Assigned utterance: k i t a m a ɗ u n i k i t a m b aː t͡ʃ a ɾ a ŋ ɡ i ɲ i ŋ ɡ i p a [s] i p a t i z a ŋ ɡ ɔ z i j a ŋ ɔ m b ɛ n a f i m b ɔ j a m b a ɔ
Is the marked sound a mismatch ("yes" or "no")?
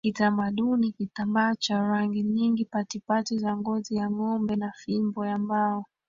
yes